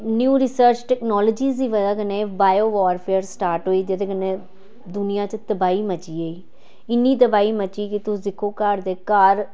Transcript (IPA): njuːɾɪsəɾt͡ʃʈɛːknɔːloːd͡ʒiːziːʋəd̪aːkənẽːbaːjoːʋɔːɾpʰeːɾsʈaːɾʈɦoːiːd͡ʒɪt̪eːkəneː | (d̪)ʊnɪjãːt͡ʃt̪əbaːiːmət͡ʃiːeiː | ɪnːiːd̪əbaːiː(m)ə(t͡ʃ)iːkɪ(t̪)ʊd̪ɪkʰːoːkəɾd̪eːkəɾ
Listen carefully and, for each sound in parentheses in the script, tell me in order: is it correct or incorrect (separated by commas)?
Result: correct, correct, correct, correct